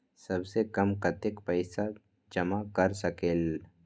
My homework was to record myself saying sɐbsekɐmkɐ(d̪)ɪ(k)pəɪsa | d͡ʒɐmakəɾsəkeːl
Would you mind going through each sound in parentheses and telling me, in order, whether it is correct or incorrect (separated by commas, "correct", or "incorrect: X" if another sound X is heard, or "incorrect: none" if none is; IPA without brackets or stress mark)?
incorrect: t̪, correct